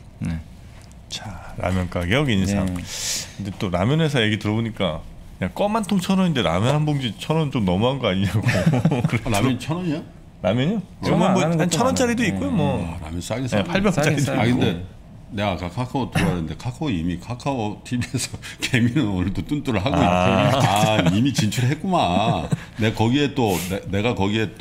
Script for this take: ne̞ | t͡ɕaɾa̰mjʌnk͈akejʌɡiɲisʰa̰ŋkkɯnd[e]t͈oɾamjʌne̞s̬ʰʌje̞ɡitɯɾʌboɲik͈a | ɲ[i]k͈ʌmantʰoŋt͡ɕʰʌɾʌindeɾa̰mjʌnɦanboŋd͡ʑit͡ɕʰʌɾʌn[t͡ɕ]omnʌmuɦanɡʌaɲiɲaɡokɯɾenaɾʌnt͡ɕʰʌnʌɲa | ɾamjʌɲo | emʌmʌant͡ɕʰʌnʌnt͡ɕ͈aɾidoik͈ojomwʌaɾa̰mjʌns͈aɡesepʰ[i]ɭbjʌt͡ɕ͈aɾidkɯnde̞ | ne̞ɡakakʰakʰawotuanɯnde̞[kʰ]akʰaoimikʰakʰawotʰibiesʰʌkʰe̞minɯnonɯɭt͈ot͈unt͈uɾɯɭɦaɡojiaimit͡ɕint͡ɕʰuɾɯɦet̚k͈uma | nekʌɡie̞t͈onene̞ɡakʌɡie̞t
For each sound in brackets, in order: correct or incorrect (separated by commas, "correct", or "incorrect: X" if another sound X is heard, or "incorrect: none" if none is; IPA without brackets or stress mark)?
correct, incorrect: a, correct, incorrect: a, correct